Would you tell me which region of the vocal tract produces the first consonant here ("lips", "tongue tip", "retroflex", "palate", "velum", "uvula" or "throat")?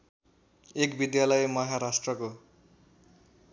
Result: velum